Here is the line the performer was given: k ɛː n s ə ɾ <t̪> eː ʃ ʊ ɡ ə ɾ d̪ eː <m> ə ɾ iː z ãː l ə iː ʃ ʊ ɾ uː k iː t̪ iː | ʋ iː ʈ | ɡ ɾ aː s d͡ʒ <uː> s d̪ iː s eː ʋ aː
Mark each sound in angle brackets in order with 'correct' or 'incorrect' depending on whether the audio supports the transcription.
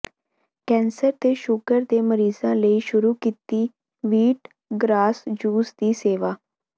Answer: correct, correct, correct

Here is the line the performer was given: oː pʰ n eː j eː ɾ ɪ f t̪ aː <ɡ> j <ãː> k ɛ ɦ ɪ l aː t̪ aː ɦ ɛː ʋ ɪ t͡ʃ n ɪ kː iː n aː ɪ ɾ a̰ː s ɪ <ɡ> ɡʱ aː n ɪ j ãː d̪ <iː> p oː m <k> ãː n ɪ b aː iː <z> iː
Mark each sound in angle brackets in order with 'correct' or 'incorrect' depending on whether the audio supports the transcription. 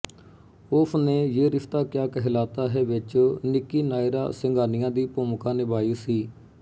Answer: incorrect: k, incorrect: aː, incorrect: ŋ, correct, correct, incorrect: s

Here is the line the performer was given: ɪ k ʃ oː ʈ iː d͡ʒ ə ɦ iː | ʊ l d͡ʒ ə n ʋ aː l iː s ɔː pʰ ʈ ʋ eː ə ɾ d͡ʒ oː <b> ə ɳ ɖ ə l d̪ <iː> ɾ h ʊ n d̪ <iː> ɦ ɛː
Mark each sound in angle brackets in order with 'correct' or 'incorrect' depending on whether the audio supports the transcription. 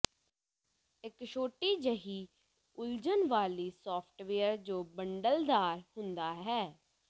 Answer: correct, incorrect: aː, incorrect: aː

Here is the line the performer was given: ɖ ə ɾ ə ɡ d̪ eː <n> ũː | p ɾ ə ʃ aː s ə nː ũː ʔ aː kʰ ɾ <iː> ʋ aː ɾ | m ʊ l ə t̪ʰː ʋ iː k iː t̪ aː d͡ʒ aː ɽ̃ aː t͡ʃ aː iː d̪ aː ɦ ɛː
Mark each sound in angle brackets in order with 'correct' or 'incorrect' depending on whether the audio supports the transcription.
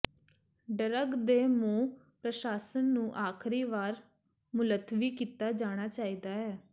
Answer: incorrect: m, correct

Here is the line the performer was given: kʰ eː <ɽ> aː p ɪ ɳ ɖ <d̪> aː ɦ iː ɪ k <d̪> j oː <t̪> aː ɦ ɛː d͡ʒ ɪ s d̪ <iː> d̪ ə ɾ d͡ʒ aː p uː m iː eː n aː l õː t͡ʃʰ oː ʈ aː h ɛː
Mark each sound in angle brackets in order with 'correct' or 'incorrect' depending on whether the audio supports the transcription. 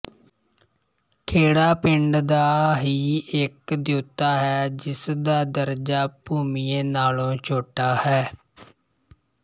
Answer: correct, correct, correct, correct, incorrect: aː

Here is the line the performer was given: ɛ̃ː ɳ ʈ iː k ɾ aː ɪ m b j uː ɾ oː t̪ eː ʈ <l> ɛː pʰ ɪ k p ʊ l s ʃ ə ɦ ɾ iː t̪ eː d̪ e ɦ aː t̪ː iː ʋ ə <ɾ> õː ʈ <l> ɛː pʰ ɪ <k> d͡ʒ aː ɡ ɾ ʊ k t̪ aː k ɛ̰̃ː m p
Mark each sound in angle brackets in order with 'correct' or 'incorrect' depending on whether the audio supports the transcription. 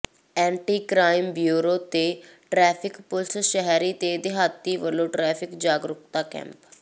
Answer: incorrect: ɾ, incorrect: l, incorrect: ɾ, correct

